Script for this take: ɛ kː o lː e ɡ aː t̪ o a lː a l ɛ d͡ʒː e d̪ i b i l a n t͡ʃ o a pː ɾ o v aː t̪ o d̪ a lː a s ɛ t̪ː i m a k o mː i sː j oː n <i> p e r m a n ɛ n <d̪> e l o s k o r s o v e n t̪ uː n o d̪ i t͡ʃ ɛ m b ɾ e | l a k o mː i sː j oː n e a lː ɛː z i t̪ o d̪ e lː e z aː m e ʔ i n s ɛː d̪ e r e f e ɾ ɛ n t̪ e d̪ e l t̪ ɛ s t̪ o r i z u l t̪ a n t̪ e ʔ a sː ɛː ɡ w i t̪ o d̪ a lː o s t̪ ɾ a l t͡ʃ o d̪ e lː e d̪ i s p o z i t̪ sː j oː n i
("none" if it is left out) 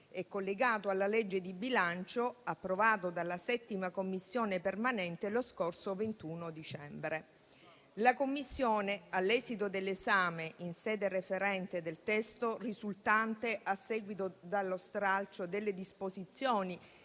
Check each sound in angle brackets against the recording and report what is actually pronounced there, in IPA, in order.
e, t̪

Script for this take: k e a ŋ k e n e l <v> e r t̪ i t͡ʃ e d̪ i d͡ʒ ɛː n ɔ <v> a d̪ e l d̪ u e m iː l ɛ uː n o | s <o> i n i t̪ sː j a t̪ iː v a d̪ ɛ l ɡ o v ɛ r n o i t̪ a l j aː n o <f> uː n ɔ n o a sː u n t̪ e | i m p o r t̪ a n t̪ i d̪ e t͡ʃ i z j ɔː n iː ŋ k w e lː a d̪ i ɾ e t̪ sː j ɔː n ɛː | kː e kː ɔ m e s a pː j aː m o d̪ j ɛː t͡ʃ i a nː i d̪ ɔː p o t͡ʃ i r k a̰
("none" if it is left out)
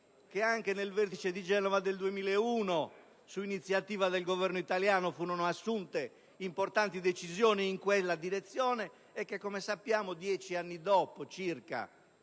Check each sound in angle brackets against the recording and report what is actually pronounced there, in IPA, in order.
v, v, u, f

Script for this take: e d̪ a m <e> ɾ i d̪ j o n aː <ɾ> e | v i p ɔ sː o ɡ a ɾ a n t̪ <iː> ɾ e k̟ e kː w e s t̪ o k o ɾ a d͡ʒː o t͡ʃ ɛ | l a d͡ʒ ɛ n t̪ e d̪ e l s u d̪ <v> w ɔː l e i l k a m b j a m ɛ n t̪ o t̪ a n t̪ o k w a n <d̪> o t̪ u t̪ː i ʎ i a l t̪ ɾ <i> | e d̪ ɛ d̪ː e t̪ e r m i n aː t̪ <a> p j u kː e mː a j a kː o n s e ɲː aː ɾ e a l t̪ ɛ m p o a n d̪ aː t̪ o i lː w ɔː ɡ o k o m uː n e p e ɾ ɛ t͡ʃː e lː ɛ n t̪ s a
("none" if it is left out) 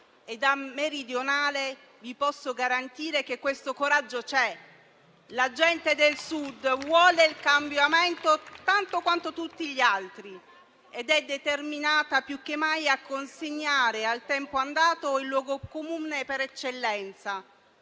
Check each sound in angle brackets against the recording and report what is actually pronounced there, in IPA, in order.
e, l, iː, v, t̪, i, a

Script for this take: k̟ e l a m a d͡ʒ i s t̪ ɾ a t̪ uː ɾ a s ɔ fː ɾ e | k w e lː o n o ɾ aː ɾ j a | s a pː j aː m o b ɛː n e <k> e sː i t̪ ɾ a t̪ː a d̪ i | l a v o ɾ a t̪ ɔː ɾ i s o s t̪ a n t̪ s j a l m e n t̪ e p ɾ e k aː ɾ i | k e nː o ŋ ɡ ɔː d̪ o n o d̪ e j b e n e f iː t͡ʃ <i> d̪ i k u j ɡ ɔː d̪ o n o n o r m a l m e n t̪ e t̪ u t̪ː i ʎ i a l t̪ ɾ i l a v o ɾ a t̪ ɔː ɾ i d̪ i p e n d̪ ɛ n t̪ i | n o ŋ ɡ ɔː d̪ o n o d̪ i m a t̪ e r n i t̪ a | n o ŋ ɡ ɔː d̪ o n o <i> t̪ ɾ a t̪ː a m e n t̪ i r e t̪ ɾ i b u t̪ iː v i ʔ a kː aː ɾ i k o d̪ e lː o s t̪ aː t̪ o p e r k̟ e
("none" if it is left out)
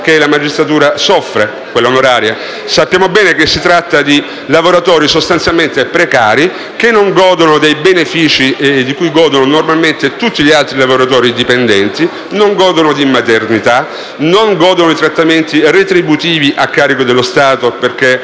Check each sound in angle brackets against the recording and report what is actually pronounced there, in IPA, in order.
k, i, i

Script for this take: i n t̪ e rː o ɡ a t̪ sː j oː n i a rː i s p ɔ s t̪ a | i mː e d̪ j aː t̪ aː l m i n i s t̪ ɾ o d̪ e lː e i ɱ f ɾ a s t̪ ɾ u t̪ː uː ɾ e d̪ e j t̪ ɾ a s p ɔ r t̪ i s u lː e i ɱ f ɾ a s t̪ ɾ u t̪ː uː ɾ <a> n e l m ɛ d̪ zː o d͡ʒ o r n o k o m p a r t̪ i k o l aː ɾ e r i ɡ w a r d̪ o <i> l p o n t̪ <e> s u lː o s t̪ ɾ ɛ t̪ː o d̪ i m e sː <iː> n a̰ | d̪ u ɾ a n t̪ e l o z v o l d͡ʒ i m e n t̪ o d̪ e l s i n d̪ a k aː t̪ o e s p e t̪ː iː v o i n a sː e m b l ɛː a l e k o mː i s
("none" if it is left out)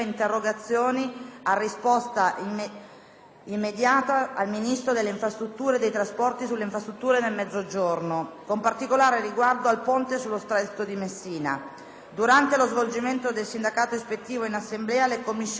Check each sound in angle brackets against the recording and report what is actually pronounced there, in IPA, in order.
e, a, e, iː

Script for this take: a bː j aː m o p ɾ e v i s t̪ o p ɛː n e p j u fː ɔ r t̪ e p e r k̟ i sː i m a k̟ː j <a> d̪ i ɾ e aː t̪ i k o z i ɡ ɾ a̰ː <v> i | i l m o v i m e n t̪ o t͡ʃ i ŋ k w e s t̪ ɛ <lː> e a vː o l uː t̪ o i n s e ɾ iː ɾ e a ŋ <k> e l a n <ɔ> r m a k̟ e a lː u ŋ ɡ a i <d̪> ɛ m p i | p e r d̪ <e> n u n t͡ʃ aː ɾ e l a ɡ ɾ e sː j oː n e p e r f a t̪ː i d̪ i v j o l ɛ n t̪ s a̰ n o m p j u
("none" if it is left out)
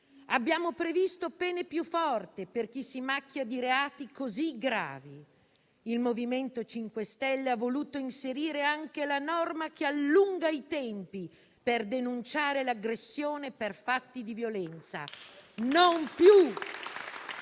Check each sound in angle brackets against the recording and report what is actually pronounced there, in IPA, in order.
a, v, lː, k, ɔ, t̪, e

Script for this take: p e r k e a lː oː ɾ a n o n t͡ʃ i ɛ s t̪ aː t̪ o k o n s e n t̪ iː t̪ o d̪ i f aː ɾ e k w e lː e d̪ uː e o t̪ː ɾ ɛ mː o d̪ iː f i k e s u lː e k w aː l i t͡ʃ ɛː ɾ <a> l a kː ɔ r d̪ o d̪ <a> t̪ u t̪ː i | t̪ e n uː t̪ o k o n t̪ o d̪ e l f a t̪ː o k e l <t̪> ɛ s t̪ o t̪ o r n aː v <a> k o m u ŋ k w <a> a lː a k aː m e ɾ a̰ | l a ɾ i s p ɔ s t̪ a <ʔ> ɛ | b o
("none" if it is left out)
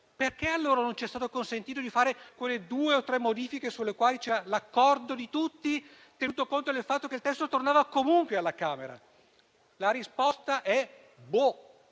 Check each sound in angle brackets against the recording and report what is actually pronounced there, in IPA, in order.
a, i, t̪, a, e, ʔ

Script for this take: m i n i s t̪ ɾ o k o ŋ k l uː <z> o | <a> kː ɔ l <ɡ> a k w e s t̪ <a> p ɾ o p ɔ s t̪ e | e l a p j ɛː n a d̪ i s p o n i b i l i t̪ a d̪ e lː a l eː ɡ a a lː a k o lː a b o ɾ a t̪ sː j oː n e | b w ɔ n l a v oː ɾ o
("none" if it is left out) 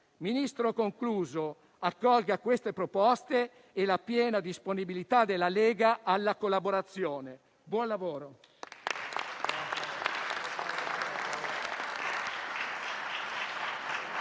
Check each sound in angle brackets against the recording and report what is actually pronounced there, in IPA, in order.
z, a, ɡ, e

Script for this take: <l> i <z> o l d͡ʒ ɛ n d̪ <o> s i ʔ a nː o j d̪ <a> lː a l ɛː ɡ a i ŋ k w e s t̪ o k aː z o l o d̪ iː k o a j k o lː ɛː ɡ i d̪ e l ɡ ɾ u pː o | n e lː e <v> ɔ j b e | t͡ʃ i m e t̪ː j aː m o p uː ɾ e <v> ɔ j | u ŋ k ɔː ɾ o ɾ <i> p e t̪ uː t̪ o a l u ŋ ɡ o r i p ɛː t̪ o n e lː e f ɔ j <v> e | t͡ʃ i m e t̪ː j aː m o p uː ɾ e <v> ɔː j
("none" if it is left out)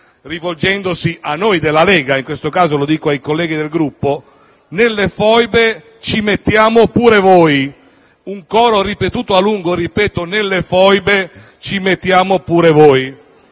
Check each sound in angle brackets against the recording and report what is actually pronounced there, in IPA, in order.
r, v, o, e, f, v, i, b, v

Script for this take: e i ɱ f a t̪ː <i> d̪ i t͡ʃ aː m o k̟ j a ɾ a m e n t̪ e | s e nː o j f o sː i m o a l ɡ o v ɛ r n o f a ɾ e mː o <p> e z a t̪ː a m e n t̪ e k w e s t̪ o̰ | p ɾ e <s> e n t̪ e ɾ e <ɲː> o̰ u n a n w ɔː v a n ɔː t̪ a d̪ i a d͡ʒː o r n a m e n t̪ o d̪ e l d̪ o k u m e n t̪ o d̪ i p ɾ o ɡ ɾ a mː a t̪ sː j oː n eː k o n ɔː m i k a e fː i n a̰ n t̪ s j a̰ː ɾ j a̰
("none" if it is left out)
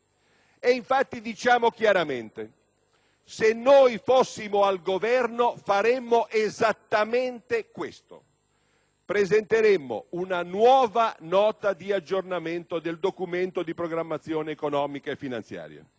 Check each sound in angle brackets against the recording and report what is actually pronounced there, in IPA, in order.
i, ʔ, z, mː

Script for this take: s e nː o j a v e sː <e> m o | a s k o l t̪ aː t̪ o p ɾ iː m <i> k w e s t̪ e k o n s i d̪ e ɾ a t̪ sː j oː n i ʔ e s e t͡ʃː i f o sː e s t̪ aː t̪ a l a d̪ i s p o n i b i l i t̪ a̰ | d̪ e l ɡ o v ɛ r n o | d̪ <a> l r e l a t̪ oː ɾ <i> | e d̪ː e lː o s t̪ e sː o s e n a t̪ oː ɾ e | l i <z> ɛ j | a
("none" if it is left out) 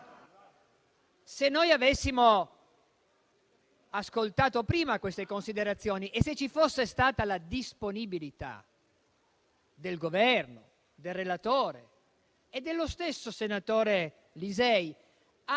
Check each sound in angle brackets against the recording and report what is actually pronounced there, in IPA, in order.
i, a, e, e, z

